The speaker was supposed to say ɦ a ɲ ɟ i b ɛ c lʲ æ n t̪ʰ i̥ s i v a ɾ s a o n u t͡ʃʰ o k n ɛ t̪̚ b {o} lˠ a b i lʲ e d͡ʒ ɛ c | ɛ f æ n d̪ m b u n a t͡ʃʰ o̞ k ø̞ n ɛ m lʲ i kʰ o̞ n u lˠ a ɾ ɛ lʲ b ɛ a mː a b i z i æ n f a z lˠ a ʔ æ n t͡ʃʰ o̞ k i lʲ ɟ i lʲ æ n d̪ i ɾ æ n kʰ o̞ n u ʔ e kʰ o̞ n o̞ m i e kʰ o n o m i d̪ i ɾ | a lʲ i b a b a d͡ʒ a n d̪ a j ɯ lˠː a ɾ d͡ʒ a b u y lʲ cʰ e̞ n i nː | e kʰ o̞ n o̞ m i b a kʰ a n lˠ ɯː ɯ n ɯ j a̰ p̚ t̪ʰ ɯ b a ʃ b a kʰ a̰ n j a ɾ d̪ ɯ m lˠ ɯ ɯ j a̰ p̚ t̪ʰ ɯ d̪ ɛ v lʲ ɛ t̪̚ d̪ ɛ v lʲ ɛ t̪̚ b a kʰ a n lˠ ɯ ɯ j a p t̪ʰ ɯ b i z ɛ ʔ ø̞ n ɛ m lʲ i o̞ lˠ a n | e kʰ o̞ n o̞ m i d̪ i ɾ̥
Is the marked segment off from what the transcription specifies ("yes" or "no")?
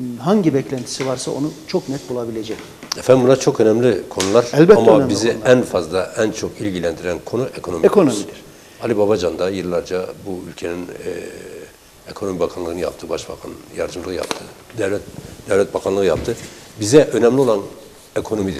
yes